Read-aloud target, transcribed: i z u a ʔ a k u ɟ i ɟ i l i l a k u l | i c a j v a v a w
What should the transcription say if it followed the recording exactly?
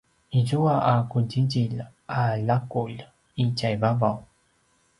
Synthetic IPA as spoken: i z u a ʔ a k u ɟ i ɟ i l a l a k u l | i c a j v a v a w